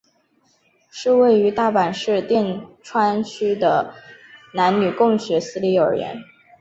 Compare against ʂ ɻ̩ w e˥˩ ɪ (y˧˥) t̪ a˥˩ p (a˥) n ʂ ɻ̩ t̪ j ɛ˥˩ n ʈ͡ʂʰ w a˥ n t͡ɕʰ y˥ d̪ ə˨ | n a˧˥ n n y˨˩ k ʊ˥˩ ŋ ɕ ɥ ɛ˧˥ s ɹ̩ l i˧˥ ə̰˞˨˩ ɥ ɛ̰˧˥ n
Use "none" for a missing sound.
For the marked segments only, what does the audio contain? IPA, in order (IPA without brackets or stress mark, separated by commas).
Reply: y˧˥, a˨˩